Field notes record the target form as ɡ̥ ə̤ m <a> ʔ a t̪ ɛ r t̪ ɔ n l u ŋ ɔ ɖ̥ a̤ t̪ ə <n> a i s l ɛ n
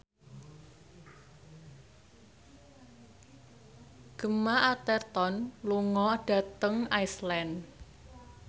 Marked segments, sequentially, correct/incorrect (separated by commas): correct, incorrect